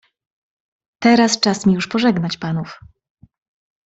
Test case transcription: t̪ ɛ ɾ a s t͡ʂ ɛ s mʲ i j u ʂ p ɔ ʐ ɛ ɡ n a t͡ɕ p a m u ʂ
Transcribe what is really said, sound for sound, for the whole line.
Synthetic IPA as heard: t̪ ɛ ɾ a s t͡ʂ a s mʲ i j u ʂ p ɔ ʐ ɛ ɡ n a t͡ɕ p a n u f